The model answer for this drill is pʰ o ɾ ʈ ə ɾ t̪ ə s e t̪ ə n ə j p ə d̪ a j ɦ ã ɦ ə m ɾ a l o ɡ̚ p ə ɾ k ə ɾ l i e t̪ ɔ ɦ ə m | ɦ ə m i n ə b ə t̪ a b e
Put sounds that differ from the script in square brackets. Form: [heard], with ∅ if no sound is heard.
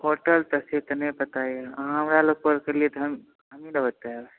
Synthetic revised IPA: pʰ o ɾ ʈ ə [l] t̪ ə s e t̪ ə n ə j p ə [t̪] a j ɦ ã ɦ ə m ɾ a l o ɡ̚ p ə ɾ k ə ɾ l i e t̪ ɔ ɦ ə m | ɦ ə m i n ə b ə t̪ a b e

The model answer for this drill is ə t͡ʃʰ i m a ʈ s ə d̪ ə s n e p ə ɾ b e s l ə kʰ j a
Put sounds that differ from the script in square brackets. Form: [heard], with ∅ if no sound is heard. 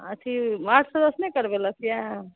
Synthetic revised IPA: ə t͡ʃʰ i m a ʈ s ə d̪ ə s n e [k] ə ɾ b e [∅] l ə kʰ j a

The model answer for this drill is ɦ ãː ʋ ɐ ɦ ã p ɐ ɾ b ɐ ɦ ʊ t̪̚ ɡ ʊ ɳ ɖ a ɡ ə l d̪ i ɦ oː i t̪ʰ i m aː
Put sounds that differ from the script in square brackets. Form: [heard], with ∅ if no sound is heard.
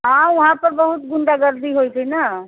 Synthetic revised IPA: ɦ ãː ʋ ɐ ɦ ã p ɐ ɾ b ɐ ɦ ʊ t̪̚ ɡ ʊ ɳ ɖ a ɡ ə [ɾ] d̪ i ɦ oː i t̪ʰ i [n] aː

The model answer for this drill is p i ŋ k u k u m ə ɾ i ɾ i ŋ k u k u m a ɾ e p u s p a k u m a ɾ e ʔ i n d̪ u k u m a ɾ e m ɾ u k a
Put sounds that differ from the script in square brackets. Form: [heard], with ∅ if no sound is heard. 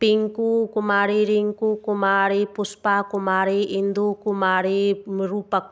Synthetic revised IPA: p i ŋ k u k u m [a] ɾ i ɾ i ŋ k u k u m a ɾ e p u s p a k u m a ɾ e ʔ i n d̪ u k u m a ɾ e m ɾ u [p] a

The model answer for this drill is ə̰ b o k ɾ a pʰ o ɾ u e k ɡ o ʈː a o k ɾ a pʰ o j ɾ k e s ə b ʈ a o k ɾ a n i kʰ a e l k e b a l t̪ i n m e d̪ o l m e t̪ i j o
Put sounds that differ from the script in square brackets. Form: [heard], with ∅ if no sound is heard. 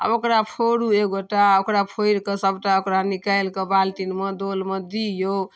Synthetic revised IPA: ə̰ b o k ɾ a pʰ o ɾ u e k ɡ o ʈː a o k ɾ a pʰ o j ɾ k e s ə b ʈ a o k ɾ a n i [k] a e l k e b a l t̪ i n m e d̪ o l m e [d̪] i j o

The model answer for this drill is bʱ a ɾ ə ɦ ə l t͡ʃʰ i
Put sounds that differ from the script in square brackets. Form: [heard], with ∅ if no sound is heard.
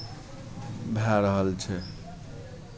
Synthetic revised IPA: bʱ a ɾ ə ɦ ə l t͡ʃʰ [ɛ]

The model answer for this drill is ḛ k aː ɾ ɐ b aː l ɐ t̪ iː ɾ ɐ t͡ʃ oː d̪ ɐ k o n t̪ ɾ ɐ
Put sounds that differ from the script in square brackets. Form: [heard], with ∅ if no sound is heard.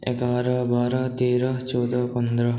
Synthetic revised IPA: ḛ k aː ɾ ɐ b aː [ɾ] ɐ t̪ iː ɾ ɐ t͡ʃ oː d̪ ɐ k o n [d̪] ɾ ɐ

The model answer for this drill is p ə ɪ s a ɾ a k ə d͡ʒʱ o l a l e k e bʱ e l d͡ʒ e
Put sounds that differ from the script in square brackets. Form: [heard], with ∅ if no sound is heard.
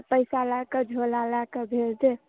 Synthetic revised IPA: p ə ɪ s a [l] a k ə d͡ʒʱ o l a l [a] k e bʱ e l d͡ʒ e

